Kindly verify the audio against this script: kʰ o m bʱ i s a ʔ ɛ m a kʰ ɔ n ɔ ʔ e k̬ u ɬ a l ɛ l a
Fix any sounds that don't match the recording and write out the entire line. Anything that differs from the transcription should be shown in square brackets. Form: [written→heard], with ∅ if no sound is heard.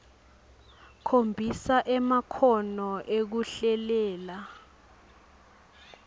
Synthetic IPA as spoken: kʰ o m bʱ i s a ʔ ɛ m a kʰ ɔ n ɔ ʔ e k̬ u ɬ [a→ɛ] l [ɛ→ɛː] l a